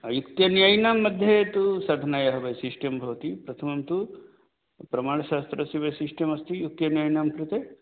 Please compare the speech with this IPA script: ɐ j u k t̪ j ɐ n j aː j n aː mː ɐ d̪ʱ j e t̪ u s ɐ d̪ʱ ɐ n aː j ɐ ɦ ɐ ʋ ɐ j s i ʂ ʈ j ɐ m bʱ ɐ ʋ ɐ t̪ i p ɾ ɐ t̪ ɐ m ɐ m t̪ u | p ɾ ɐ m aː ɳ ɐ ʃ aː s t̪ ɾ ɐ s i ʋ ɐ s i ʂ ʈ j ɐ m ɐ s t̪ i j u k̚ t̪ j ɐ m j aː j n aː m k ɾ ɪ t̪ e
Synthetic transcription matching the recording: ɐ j u k t̪ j ɐ n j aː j n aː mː ɐ d̪ʱ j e t̪ u s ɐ d̪ʱ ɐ n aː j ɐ ɦ ɐ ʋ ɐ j s i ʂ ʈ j ɐ m bʱ ɐ ʋ ɐ t̪ i p ɾ ɐ t̪ʰ ɐ m ɐ m t̪ u | p ɾ ɐ m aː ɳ ɐ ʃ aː s t̪ ɾ ɐ s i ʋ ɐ s i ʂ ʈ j ɐ m ɐ s t̪ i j u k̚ t̪ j ɐ n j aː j n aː m k ɾ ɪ t̪ e